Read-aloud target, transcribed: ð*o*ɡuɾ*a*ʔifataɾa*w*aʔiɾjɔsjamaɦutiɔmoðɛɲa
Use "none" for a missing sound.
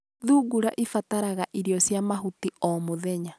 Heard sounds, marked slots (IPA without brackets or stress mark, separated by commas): u, a, ɣ